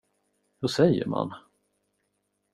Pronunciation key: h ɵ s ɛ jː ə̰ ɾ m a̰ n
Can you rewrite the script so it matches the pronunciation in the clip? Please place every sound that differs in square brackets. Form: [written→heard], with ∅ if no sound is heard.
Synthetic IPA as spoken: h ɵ s ɛ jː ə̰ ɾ m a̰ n